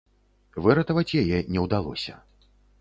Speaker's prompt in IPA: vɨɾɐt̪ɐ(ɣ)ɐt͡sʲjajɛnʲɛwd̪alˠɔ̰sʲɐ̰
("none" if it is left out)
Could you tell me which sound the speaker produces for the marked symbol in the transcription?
v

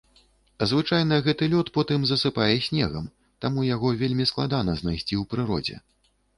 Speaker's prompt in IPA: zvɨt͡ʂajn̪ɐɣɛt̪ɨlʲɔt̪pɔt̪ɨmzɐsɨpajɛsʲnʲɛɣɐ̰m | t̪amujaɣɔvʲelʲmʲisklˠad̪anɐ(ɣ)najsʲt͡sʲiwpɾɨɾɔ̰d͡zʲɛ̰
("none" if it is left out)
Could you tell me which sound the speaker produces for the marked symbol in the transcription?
z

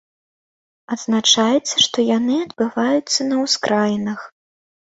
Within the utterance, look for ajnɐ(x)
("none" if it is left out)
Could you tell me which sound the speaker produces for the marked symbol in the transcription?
x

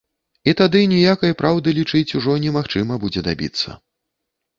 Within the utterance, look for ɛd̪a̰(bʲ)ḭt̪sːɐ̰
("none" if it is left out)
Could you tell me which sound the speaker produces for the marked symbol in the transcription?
bʲ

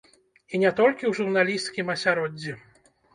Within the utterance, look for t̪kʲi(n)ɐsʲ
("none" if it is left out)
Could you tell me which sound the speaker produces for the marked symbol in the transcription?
m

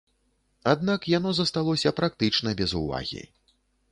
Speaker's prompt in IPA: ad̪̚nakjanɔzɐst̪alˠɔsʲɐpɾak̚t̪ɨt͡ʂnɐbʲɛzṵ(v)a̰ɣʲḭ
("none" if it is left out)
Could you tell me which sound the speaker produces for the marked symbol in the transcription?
v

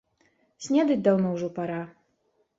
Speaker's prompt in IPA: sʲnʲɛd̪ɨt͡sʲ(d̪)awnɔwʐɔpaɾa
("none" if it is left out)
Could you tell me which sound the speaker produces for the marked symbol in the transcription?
d̪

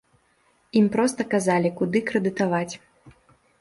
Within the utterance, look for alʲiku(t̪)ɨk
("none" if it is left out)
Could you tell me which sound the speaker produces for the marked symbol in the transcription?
d̪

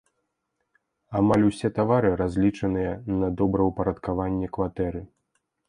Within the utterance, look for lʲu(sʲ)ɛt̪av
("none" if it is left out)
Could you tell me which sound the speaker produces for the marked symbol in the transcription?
sʲ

